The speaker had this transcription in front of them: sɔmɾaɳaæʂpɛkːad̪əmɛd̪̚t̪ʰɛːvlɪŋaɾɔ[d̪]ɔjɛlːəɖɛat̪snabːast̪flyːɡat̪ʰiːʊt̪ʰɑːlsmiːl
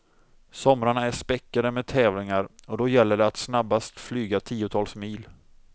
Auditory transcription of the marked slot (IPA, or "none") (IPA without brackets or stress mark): d̪